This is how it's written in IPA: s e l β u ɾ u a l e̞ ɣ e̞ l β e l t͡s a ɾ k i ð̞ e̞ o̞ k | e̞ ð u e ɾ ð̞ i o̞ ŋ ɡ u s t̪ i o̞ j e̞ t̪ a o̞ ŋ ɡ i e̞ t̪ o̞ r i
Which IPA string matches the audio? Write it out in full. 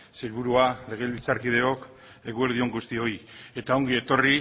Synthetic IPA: s e l β u ɾ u a l e̞ ɣ e̞ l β i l t͡s a ɾ k i ð̞ e̞ o̞ k | e̞ ɣ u e ɾ ð̞ i o̞ ŋ ɡ u s t̪ i o̞ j e̞ t̪ a o̞ ŋ ɡ i e̞ t̪ o̞ r i